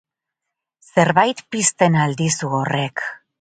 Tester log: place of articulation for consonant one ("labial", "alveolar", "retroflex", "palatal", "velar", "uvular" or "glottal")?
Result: alveolar